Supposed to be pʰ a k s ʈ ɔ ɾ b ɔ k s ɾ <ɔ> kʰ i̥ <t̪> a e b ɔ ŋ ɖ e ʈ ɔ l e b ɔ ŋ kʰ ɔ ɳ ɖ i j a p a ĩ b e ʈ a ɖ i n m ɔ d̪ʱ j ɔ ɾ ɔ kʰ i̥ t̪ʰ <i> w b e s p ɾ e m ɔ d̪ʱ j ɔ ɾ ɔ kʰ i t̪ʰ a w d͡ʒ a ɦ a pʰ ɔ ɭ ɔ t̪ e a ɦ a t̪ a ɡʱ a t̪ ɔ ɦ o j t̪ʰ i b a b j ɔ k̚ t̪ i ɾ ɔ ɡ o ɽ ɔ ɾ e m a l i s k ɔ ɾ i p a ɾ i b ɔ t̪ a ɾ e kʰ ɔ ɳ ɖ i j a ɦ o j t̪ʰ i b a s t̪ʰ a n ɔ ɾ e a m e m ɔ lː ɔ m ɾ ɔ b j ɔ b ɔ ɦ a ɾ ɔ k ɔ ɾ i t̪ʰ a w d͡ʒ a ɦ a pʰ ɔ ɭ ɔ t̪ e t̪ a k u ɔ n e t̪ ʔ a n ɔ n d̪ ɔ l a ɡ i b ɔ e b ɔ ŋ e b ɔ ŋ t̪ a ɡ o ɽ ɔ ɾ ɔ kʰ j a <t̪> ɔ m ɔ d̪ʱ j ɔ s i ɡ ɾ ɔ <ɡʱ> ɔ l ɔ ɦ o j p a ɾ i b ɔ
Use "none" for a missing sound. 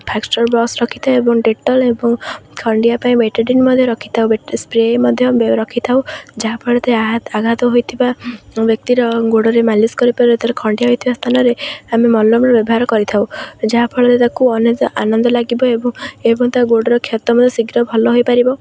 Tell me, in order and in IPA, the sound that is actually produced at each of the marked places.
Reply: ɔ, t̪ʰ, a, t̪, bʱ

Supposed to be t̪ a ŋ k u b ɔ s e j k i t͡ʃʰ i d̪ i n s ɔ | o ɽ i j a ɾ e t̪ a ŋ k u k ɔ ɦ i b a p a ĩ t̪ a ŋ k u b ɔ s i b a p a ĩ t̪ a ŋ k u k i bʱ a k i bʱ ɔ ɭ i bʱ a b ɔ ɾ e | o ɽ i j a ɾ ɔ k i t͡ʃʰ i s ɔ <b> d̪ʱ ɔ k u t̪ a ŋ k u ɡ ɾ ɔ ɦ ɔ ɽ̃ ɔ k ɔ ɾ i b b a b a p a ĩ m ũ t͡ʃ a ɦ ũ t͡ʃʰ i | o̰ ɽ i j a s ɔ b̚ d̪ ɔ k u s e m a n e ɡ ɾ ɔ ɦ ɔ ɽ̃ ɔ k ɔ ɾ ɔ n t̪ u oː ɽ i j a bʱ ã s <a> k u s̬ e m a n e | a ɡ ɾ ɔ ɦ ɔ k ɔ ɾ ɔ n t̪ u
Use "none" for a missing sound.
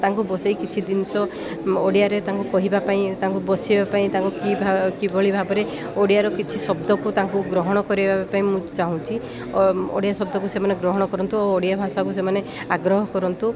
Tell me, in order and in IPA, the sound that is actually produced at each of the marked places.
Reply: b, a

